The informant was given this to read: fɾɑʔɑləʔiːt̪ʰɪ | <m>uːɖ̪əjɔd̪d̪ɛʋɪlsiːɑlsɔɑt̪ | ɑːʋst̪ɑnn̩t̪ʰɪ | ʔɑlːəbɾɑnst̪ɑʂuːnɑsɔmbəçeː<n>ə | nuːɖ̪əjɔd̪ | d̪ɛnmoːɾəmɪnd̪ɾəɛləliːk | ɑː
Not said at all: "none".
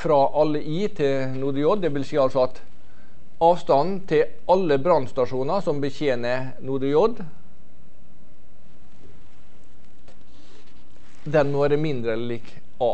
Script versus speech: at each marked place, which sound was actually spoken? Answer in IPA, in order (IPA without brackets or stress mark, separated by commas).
n, n